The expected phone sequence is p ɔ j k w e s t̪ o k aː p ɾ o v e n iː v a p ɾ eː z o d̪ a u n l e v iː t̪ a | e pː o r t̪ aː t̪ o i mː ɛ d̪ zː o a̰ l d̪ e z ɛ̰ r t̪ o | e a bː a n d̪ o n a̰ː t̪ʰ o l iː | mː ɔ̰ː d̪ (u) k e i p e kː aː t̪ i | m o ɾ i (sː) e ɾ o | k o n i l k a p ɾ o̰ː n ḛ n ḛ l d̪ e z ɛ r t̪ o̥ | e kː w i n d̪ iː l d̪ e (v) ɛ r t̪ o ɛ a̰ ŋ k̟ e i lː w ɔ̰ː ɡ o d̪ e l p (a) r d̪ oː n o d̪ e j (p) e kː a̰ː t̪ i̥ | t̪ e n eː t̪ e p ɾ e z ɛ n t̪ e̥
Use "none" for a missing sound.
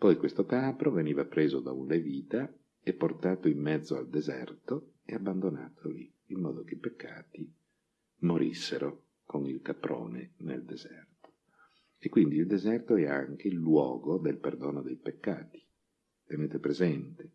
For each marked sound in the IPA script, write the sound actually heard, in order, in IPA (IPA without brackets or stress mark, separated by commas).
o, sː, z, e, p